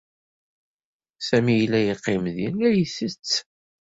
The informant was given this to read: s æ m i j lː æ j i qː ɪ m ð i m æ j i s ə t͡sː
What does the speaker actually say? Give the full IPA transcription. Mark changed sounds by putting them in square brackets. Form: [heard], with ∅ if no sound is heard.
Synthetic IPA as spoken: s æ m i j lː æ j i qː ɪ m ð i [n] æ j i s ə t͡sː